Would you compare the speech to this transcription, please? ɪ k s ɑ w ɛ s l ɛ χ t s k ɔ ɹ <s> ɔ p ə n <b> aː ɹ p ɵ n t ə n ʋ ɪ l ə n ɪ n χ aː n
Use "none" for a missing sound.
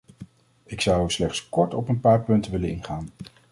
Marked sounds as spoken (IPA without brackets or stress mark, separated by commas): t, p